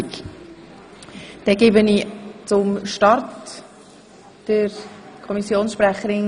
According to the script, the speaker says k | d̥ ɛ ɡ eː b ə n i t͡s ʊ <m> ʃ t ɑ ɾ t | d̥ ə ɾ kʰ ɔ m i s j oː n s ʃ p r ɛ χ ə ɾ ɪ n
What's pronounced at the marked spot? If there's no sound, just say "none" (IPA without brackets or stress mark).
m